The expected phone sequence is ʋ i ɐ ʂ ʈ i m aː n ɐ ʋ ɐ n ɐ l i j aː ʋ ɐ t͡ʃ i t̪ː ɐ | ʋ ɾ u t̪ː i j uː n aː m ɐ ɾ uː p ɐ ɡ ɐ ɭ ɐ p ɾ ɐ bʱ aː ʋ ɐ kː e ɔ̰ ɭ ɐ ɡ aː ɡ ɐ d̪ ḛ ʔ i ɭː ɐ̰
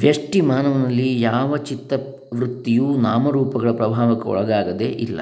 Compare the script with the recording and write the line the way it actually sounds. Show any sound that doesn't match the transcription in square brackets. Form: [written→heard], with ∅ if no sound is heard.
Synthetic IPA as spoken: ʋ [i→j] ɐ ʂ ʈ i m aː n ɐ ʋ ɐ n ɐ [l→lː] i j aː ʋ ɐ t͡ʃ i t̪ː ɐ | ʋ ɾ u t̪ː i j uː n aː m ɐ ɾ uː p ɐ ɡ ɐ ɭ ɐ p ɾ ɐ bʱ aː ʋ ɐ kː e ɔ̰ ɭ ɐ ɡ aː ɡ ɐ d̪ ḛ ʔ i [ɭː→lː] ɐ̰